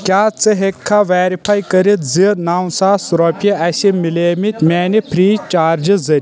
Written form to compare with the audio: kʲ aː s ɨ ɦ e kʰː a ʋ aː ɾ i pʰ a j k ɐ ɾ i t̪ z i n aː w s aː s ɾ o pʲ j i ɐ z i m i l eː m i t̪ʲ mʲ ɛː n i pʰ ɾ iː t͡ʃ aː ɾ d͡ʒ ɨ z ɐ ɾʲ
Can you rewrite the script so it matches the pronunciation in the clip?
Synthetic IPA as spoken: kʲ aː t͡s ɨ ɦ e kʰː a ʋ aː ɾ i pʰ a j k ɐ ɾ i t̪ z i n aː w s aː s ɾ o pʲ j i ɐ s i m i l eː m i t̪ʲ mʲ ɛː n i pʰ ɾ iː t͡ʃ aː ɾ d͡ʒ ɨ z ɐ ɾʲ